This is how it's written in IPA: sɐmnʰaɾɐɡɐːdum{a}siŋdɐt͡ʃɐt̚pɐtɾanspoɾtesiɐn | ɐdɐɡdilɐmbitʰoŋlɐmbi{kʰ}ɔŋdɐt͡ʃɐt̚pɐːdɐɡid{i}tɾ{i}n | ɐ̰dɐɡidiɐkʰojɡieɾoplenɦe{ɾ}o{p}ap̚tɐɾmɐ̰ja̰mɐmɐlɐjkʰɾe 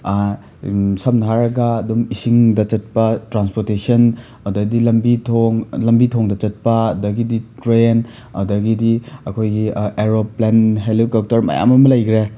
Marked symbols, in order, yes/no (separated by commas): no, no, yes, no, no, no